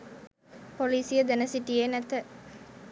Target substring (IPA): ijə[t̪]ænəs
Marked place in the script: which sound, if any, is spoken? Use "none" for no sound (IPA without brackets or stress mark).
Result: d̪